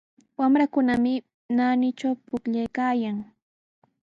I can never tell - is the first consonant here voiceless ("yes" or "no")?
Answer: no